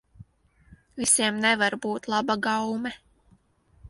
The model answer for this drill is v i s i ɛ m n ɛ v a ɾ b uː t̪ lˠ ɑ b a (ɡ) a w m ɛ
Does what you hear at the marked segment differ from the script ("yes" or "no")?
no